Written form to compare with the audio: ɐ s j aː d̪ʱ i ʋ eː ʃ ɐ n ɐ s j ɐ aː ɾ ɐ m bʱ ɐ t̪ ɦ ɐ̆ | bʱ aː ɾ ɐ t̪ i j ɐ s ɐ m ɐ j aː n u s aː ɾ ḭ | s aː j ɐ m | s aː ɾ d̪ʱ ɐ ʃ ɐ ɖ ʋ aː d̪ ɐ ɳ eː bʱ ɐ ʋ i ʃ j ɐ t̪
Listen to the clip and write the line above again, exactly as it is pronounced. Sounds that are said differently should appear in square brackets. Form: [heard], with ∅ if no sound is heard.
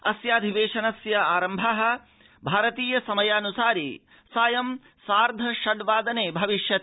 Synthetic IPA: ɐ s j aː d̪ʱ i ʋ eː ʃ ɐ n ɐ s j ɐ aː ɾ ɐ m bʱ ɐ [∅] ɦ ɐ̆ | bʱ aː ɾ ɐ t̪ [iː] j ɐ s ɐ m ɐ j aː n u s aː ɾ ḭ | s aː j ɐ m | s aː ɾ d̪ʱ ɐ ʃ ɐ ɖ ʋ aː d̪ ɐ [n] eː bʱ ɐ ʋ i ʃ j ɐ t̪